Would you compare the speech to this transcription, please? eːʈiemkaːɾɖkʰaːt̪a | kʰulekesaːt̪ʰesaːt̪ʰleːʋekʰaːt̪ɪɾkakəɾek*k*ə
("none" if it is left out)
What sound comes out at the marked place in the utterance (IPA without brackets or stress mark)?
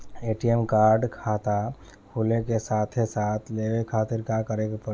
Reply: p